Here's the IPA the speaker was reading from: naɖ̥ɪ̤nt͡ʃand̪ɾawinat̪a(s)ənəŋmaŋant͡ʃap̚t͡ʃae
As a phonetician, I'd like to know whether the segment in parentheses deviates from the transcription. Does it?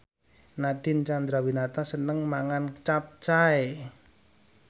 no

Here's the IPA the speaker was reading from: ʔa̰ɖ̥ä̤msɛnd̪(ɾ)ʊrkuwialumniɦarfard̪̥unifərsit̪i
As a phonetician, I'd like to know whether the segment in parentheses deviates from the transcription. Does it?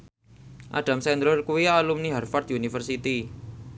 no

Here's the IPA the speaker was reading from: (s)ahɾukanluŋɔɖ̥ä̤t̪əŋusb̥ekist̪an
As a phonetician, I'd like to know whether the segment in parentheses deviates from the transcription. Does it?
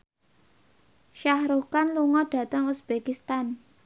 yes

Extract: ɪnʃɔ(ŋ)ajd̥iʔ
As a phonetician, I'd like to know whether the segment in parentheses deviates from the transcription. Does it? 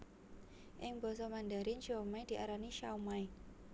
yes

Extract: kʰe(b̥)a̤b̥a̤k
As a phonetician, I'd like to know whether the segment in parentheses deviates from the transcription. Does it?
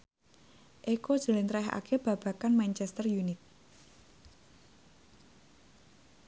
no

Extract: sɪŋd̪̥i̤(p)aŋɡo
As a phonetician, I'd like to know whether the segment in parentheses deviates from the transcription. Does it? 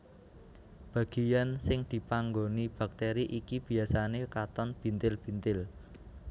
no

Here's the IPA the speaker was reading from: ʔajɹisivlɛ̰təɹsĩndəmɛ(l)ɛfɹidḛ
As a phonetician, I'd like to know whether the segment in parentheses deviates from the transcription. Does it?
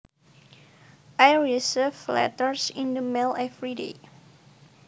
no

